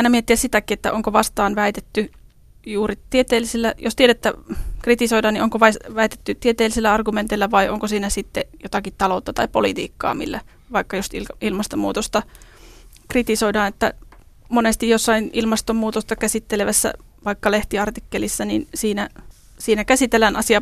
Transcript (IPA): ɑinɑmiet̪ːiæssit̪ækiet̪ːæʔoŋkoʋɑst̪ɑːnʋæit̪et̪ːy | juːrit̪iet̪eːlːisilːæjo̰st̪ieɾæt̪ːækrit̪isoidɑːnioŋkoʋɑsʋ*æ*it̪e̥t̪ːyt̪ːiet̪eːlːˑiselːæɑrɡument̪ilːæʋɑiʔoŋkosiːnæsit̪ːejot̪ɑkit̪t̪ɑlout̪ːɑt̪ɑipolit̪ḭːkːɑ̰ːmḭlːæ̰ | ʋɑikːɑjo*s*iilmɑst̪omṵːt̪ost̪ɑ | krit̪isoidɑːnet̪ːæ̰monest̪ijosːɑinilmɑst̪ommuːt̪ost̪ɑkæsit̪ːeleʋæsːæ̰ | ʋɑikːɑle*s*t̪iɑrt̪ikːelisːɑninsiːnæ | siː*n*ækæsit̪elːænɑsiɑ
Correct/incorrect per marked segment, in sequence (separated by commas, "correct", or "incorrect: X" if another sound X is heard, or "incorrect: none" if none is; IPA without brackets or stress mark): correct, correct, incorrect: h, correct